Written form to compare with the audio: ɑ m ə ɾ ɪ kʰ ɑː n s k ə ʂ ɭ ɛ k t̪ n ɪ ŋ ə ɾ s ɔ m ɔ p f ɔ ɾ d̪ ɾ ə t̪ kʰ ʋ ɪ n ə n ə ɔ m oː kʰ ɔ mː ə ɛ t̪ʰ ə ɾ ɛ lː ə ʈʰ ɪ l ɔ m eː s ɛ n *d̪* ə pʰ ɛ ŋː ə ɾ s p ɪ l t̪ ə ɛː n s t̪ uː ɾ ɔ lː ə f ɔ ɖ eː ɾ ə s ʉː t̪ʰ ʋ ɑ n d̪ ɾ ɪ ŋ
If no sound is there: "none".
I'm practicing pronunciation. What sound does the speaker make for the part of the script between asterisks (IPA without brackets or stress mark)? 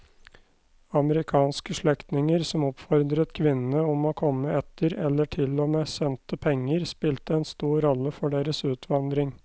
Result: t̪